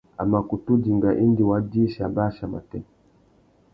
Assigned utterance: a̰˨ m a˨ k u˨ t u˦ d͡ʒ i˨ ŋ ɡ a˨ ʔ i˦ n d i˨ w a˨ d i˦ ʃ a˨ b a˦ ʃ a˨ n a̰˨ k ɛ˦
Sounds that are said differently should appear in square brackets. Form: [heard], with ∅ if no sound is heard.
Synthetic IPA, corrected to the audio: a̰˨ m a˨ k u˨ t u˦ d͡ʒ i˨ ŋ ɡ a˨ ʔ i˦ n d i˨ w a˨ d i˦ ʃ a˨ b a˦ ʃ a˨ [m] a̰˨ [t] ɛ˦

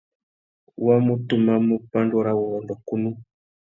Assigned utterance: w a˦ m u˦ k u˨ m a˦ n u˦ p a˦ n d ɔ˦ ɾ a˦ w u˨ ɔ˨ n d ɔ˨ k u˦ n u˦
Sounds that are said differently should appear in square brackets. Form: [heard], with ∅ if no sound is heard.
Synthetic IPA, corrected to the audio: w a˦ m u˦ [t] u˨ m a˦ [m] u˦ p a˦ n d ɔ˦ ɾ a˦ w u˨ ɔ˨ n d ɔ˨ k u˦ n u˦

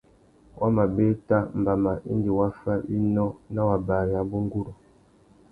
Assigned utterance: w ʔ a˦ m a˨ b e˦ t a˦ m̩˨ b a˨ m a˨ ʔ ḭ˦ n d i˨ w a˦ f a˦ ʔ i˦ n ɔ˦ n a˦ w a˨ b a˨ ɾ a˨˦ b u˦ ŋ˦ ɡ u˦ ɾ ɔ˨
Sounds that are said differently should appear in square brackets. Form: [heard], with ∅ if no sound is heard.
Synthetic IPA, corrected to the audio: w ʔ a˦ m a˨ b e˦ t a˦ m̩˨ b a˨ m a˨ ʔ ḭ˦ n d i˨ w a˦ f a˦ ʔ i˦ n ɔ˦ n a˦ w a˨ b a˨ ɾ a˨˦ b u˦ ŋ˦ ɡ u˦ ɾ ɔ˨

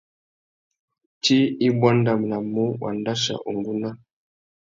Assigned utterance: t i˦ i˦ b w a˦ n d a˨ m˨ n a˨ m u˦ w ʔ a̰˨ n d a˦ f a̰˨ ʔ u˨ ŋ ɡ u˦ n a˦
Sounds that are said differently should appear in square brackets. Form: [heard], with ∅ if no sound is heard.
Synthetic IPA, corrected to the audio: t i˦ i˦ b w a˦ n d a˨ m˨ n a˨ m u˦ w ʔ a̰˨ n d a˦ [ʃ] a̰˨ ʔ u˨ ŋ ɡ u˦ n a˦

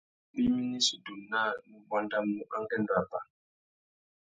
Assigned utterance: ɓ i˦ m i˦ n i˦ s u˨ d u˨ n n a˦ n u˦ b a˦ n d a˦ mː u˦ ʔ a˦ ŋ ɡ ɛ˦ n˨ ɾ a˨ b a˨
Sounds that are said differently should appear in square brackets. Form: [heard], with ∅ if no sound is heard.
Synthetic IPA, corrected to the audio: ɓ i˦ m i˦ n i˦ s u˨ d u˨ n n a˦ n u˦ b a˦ n d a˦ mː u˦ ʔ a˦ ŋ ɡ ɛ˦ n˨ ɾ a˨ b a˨

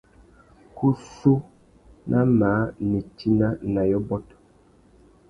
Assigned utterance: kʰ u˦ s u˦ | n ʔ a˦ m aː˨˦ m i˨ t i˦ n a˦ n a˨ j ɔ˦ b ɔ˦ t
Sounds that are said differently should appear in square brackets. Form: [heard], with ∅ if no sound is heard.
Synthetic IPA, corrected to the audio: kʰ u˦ s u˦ | n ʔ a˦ m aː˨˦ [n] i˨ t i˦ n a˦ n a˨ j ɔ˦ b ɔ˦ t

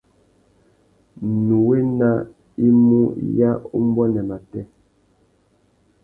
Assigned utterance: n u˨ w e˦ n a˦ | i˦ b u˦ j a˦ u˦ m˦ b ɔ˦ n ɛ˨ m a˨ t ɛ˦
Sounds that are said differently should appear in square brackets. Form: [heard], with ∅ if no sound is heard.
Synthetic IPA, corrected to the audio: n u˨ w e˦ n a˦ | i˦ [m] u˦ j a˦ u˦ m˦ b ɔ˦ n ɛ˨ m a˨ t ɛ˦

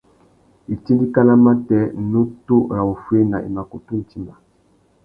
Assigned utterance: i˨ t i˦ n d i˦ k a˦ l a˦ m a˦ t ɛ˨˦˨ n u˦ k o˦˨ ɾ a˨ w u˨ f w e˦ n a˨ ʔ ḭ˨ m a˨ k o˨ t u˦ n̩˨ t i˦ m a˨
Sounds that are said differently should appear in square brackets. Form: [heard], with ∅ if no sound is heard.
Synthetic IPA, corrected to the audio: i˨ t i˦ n d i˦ k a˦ l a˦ m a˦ t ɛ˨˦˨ n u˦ [t] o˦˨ ɾ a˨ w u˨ f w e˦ n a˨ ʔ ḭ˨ m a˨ k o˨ t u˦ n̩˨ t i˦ m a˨

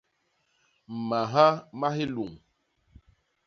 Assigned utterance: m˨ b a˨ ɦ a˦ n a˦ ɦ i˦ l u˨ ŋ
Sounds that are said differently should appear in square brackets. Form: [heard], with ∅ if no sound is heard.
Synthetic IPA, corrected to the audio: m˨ [m] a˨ ɦ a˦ [m] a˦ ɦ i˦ l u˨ ŋ

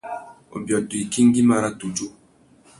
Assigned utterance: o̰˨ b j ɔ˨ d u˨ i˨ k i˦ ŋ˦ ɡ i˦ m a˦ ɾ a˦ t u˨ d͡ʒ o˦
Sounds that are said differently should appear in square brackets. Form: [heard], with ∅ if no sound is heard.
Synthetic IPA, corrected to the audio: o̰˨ b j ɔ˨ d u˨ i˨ k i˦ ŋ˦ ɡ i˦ m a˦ ɾ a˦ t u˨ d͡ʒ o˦

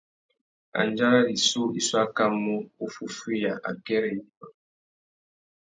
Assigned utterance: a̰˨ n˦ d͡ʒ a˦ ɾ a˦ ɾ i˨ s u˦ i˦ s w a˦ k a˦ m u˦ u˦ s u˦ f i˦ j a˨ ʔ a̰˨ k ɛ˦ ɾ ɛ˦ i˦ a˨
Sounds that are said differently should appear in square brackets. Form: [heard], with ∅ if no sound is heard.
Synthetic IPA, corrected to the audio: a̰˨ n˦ d͡ʒ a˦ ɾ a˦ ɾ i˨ s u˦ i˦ s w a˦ k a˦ m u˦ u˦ [f] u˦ f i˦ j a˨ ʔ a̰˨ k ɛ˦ ɾ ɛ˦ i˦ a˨

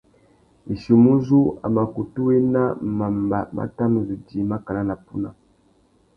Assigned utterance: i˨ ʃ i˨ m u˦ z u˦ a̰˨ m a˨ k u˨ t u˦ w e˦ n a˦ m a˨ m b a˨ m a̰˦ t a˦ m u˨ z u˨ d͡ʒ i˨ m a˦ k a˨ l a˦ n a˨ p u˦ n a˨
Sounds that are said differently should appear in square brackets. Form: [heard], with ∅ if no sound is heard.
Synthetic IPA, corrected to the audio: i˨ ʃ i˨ m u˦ z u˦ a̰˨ m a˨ k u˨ t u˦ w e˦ n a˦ m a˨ m b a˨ m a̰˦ t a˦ m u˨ z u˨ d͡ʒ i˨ m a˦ k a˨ l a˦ n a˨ p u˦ n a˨

